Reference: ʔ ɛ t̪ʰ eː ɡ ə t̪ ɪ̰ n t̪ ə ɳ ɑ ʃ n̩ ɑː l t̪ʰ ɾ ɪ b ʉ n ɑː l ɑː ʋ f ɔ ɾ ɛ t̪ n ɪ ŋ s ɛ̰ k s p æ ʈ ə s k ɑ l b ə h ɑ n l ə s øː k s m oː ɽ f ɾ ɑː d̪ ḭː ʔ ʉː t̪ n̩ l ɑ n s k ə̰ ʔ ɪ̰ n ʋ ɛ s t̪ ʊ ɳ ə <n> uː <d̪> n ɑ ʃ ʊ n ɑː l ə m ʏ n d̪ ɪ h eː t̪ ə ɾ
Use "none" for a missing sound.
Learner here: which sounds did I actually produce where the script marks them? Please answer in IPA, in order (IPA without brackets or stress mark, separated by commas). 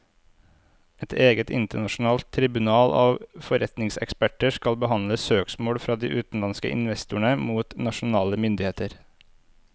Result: m, t̪